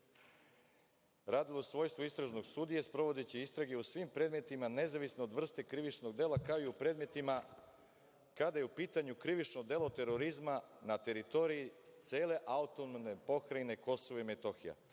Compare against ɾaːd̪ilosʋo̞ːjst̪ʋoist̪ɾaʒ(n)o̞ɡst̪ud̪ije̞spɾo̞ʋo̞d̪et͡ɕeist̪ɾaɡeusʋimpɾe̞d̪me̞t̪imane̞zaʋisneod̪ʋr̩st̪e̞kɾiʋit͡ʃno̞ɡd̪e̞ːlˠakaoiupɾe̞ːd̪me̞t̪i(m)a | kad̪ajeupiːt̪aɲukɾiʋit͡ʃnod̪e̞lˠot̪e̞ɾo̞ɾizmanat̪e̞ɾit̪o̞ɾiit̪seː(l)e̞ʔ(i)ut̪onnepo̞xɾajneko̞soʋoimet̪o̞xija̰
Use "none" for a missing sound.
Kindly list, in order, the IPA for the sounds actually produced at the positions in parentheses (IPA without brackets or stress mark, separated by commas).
n, m, l, a